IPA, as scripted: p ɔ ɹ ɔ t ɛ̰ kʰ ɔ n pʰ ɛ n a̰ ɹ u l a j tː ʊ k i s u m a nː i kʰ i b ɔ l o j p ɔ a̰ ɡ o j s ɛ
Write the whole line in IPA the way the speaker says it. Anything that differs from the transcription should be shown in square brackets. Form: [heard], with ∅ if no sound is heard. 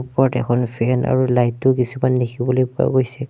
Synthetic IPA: p ɔ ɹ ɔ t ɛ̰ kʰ ɔ n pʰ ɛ n a̰ ɹ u l a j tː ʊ k i s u m a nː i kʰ i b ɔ l o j p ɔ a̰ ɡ o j s ɛ